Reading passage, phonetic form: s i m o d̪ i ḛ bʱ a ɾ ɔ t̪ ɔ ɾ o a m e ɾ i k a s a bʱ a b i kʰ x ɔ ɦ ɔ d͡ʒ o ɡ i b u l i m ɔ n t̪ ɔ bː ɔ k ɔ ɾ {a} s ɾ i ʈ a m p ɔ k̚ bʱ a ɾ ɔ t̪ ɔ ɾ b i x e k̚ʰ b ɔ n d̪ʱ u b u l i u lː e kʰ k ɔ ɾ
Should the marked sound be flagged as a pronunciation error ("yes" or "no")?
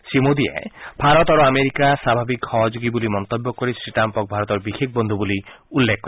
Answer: yes